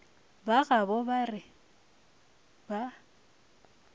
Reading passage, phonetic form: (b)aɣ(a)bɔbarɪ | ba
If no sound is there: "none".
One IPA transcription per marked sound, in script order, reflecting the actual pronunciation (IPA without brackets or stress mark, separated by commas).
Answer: b, a